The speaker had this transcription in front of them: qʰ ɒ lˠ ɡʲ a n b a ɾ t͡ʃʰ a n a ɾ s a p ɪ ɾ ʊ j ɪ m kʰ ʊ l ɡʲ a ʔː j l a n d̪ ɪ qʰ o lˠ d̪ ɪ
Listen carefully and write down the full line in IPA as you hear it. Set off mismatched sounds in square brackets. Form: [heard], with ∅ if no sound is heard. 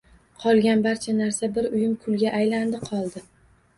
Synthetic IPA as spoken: qʰ ɒ lˠ ɡʲ a n b a ɾ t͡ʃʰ a n a ɾ s a [b] ɪ ɾ ʊ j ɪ m kʰ ʊ l ɡʲ a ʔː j l a n d̪ ɪ qʰ [ɒ] lˠ d̪ ɪ